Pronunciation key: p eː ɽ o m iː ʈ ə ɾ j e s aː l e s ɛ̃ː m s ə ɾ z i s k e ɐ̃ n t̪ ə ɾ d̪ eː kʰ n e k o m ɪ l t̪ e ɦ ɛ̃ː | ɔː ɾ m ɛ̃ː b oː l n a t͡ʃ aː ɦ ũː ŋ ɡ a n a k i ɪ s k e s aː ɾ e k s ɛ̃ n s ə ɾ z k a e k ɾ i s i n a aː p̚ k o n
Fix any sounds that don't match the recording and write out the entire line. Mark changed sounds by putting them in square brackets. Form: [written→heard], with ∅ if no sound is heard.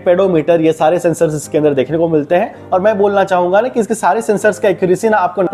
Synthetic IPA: p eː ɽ o m iː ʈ ə ɾ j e s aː [l→ɾ] e s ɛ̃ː [m→n] s ə ɾ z [i→ɪ] s k e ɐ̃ n [t̪→d̪] ə ɾ d̪ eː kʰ n e k o m ɪ l t̪ e ɦ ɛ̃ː | ɔː ɾ m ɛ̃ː b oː l n a t͡ʃ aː ɦ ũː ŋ ɡ a n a k i ɪ s k e s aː ɾ e [k→∅] s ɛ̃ n s ə ɾ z k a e k ɾ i s i n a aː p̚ k o n

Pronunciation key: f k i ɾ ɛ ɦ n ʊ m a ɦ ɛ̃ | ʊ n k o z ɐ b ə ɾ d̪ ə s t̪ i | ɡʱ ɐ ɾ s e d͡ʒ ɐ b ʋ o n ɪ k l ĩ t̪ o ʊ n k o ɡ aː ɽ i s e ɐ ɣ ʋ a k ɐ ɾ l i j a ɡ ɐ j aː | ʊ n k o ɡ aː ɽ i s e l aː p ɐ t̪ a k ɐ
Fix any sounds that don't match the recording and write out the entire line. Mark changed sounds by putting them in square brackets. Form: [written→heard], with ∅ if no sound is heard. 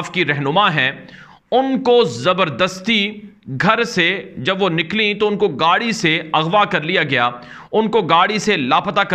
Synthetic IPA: f k i ɾ ɛ ɦ n ʊ m a ɦ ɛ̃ | ʊ n k o z ɐ b ə ɾ d̪ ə s t̪ i | ɡʱ ɐ ɾ s e d͡ʒ ɐ b ʋ o n ɪ k l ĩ t̪ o ʊ n k o ɡ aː ɽ i s e ɐ ɣ ʋ a k ɐ ɾ l i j a ɡ ɐ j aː | ʊ n k o ɡ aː ɽ i s e l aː p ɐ t̪ a k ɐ

